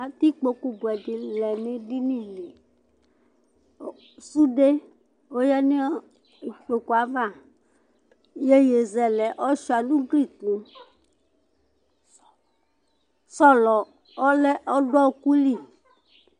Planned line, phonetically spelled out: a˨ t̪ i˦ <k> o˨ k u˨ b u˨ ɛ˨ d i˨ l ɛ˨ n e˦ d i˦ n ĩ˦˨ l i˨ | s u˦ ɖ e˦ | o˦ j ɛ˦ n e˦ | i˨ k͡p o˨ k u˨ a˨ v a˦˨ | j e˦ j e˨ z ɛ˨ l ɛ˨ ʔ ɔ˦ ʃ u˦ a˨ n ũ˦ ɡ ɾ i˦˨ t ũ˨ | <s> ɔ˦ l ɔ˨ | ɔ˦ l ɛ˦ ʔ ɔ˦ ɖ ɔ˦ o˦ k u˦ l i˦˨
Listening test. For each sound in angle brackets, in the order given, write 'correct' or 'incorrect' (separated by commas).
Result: incorrect, correct